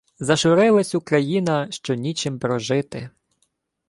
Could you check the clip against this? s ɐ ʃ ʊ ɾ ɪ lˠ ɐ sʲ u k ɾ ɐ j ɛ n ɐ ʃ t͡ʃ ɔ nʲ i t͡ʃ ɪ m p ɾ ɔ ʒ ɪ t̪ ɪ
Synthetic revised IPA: z ɐ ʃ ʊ ɾ ɪ lˠ ɐ sʲ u k ɾ ɐ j i n ɐ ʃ t͡ʃ ɔ nʲ i t͡ʃ ɪ m p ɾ ɔ ʒ ɪ t̪ ɪ